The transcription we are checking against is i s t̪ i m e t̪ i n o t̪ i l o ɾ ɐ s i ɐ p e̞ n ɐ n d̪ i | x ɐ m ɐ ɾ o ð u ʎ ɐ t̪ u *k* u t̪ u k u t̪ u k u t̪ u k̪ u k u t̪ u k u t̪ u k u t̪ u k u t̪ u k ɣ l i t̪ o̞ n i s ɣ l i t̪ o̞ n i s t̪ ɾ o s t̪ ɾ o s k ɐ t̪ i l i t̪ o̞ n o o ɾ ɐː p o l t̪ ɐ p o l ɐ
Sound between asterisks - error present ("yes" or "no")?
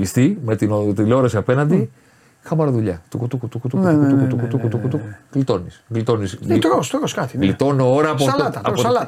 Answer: no